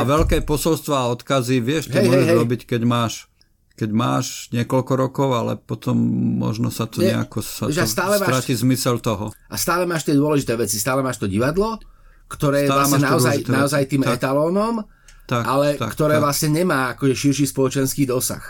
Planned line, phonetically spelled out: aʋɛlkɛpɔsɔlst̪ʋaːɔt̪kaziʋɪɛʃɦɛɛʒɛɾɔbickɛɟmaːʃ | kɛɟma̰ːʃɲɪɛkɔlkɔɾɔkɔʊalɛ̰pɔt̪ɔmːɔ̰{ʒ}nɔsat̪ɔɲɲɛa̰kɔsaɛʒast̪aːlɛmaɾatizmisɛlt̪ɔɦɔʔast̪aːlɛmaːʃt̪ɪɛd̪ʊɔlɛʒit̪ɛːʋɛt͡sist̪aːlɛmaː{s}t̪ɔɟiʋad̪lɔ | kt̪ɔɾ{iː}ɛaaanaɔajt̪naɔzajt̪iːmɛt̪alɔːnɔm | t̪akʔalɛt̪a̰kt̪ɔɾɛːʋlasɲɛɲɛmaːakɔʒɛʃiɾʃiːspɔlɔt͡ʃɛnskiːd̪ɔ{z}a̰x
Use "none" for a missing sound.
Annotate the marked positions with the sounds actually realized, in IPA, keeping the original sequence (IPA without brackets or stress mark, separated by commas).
ʒ, ʃ, ɛː, s